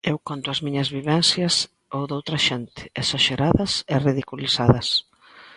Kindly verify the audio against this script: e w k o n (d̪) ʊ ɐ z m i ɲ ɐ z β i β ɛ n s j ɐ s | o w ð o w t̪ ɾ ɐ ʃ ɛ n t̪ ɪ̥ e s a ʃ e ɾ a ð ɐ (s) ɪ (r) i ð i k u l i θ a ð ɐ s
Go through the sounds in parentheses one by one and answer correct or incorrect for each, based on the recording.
incorrect: t̪, correct, correct

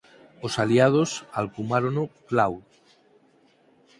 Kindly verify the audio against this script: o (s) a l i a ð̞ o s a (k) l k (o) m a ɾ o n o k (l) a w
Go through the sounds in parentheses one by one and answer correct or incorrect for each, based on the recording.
correct, incorrect: none, incorrect: u, correct

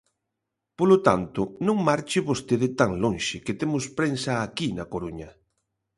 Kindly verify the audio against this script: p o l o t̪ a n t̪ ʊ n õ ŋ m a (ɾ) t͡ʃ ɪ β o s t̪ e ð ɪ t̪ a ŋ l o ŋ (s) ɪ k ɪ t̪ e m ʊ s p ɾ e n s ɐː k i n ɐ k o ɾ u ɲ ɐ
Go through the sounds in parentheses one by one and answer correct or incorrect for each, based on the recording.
correct, incorrect: ʃ

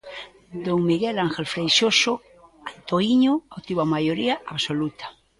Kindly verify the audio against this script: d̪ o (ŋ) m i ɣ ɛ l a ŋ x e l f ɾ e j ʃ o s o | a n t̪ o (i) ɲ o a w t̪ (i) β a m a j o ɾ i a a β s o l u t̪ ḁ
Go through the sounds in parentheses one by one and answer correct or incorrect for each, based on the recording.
correct, correct, correct

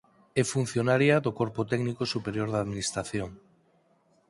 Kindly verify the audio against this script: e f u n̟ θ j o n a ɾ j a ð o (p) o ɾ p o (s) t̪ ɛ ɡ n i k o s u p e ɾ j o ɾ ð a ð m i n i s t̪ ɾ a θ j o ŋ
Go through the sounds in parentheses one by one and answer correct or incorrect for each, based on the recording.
incorrect: k, incorrect: none

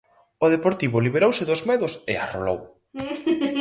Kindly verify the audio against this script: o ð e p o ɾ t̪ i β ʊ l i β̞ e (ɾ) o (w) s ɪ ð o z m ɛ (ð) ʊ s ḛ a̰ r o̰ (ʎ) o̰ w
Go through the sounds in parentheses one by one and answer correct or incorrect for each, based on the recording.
correct, correct, correct, incorrect: l

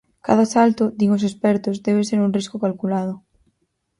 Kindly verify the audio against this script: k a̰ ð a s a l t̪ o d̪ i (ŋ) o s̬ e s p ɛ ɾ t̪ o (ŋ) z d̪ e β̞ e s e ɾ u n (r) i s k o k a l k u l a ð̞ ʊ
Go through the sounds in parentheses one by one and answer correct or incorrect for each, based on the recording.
correct, incorrect: none, correct

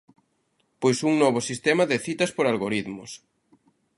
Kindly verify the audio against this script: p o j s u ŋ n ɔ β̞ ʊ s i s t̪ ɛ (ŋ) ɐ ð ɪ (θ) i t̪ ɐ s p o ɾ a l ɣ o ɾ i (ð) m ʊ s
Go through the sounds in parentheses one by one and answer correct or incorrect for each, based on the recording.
incorrect: m, correct, correct

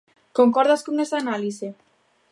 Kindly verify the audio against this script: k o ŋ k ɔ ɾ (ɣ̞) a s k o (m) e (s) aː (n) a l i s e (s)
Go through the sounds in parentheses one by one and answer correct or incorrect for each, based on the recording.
incorrect: ð̞, incorrect: ŋ, correct, correct, incorrect: none

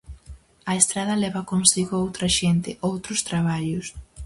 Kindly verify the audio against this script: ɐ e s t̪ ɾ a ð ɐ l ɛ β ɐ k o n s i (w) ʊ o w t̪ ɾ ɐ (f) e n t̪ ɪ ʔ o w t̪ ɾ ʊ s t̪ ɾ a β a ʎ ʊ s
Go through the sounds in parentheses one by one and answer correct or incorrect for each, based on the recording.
incorrect: ɣ, incorrect: ʃ

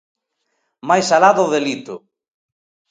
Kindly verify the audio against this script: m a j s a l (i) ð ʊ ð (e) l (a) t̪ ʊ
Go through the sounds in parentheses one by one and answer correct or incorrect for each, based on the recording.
incorrect: a, correct, incorrect: i

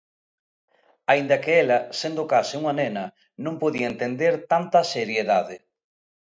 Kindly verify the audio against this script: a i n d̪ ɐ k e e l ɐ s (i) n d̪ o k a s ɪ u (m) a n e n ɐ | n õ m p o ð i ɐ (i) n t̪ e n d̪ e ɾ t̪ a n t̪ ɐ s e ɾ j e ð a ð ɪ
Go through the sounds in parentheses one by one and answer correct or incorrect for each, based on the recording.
incorrect: e, incorrect: ŋ, incorrect: e

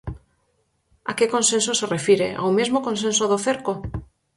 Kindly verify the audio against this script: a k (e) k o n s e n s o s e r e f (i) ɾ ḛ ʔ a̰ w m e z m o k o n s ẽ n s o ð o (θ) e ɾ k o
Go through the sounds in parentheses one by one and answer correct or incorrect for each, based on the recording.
correct, correct, correct

